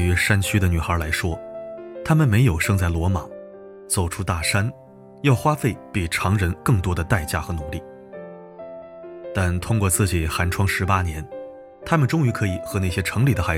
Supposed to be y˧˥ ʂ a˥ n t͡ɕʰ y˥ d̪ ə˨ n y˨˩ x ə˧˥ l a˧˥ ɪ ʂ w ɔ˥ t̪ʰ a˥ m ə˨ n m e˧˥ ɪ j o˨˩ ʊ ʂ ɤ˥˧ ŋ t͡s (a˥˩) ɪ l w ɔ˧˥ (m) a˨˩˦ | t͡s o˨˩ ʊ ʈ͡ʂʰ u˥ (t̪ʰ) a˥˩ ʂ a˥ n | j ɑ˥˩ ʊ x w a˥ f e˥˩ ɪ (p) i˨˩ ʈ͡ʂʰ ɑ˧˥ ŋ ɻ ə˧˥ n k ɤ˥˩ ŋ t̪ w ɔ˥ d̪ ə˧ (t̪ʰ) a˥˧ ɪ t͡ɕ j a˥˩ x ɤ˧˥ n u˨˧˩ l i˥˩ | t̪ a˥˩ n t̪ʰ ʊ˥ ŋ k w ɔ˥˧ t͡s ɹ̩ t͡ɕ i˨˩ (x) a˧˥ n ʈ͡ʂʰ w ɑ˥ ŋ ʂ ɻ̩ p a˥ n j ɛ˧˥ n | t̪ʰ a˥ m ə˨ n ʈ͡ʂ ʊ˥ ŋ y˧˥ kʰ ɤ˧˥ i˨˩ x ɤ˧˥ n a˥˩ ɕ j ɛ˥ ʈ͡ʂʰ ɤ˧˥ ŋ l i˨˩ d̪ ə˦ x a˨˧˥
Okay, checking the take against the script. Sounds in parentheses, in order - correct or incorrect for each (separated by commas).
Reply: correct, correct, incorrect, correct, incorrect, correct